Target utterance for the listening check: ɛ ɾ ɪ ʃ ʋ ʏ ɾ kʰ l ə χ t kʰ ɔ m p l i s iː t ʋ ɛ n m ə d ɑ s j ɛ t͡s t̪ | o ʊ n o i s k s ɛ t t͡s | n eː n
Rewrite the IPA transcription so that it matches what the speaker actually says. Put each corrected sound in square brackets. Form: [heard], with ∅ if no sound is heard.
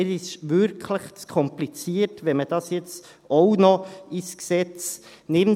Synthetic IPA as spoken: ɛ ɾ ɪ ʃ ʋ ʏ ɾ kʰ l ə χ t kʰ ɔ m p l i [t͡s] iː t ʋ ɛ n m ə d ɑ s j ɛ t͡s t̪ | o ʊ n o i s k s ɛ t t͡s | n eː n